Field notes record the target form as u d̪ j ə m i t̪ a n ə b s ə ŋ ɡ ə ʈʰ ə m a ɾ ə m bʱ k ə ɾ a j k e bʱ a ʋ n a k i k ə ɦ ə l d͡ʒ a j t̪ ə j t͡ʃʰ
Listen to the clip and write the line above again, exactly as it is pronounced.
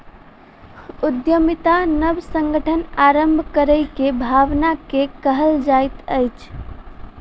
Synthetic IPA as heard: u d̪ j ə m i t̪ a n ə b s ə ŋ ɡ ə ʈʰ ə n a ɾ ə m bʱ k ə ɾ ə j k e bʱ a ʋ n a k e k ə ɦ ə l d͡ʒ a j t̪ ə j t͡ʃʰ